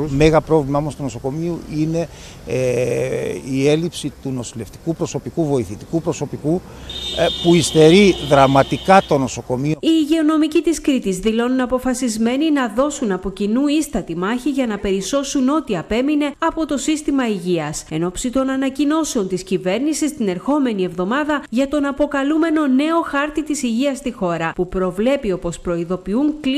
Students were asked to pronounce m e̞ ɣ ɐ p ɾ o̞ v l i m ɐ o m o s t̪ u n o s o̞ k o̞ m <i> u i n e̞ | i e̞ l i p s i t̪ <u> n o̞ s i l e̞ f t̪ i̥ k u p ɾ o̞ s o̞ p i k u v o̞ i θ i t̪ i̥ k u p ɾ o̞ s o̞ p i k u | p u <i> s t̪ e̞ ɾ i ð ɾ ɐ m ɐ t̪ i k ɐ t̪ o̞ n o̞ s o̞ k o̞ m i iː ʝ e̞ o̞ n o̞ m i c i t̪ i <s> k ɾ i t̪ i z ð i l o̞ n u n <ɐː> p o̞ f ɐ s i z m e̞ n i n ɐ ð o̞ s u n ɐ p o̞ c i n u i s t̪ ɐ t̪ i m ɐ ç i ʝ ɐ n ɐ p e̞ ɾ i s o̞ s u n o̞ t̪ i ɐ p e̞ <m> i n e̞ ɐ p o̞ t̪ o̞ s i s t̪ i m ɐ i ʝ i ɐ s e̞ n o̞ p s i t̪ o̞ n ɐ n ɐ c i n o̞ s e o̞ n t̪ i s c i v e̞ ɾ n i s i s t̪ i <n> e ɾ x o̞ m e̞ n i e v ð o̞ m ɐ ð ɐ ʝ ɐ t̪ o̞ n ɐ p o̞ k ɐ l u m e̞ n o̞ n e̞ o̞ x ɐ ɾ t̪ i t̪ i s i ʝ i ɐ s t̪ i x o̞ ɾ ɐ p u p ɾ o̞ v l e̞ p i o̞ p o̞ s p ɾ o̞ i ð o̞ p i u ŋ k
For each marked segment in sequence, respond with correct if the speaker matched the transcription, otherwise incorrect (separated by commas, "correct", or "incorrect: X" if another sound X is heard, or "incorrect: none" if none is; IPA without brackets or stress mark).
correct, correct, correct, correct, incorrect: ɐ, correct, correct